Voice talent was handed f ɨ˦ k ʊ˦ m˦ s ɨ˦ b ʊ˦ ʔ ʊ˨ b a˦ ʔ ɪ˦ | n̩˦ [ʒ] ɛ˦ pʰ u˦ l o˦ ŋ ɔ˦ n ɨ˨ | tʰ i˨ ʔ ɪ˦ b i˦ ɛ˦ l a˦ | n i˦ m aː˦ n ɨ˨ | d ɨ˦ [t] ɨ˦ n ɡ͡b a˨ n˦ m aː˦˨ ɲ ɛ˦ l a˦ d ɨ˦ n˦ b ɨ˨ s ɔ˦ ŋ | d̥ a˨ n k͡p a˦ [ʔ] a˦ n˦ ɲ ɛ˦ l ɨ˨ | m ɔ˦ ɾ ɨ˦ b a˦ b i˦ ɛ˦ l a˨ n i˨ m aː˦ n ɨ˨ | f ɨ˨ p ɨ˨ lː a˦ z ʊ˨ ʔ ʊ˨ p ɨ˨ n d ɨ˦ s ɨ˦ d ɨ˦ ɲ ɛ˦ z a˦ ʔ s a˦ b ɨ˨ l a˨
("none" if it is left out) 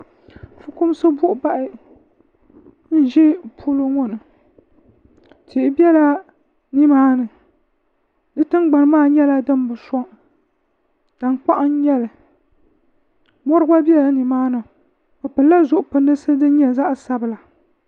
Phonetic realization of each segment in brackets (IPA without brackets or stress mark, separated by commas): ʒ, t, ʔ